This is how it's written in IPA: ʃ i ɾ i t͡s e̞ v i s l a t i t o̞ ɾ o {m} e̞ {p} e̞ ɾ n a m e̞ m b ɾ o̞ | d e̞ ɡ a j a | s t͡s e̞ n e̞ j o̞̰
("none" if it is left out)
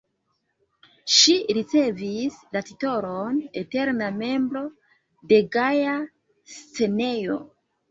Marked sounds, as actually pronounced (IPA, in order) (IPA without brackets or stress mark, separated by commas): n, t